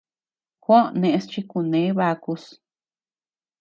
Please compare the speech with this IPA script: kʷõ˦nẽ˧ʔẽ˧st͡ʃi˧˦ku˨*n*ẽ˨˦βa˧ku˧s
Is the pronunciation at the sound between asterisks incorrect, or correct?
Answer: correct